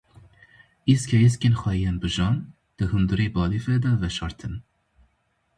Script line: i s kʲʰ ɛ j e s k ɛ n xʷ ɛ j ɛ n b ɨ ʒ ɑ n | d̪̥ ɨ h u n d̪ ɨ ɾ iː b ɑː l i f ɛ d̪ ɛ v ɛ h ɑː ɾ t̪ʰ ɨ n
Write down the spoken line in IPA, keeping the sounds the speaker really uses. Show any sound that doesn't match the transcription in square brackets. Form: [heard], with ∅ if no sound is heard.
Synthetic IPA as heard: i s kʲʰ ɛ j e s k [e] n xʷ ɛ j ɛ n b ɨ ʒ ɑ n | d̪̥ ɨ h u n d̪ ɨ ɾ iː b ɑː l i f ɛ d̪ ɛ v ɛ [ʃ] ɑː ɾ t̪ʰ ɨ n